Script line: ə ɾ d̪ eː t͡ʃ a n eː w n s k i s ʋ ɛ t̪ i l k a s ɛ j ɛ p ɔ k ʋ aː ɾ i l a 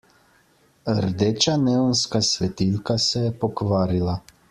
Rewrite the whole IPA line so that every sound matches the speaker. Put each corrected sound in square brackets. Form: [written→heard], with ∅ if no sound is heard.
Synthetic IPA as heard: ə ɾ d̪ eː t͡ʃ a n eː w n s k [i→a] s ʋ ɛ t̪ i l k a s ɛ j ɛ p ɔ k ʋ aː ɾ i l a